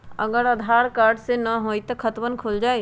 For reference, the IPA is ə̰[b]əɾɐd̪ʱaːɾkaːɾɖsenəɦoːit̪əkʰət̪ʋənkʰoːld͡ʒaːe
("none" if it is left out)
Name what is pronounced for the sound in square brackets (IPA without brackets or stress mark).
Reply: ɡ